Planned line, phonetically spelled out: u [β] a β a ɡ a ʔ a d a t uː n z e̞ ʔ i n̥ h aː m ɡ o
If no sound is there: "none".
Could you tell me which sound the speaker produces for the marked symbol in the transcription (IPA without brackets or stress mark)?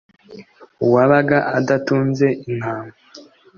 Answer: w